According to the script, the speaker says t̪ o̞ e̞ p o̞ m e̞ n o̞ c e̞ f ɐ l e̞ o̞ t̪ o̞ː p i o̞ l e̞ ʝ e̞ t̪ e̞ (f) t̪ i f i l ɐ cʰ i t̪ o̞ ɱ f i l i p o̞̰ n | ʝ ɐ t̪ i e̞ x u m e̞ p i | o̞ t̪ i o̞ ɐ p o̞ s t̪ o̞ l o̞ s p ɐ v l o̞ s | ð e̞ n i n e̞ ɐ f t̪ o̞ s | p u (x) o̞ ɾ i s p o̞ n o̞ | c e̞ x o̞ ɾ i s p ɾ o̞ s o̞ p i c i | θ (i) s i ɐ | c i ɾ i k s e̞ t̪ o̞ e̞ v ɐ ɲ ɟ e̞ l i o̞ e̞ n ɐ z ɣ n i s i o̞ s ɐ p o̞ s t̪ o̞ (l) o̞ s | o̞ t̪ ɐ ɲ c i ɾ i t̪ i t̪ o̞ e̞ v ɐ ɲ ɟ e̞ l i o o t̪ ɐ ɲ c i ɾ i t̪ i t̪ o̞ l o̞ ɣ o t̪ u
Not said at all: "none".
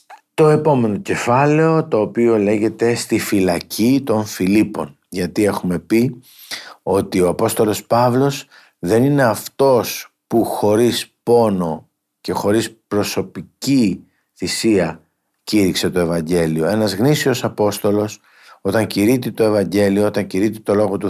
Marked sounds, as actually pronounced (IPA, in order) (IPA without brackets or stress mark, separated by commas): s, x, i, l